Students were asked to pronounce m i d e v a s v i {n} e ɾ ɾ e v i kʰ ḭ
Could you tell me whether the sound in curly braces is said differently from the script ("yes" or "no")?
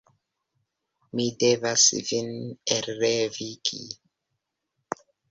no